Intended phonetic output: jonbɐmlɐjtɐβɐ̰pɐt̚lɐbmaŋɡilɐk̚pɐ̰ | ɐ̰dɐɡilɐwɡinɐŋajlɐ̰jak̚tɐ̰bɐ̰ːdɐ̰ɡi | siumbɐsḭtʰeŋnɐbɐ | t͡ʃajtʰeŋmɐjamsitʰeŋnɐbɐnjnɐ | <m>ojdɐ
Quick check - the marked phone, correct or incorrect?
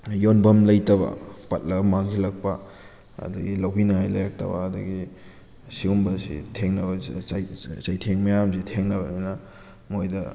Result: correct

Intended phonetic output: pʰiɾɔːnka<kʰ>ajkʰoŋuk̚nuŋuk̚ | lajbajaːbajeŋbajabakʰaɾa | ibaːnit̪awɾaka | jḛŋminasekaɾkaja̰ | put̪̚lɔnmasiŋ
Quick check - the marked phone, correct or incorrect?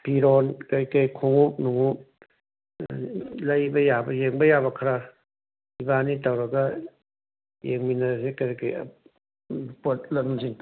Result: incorrect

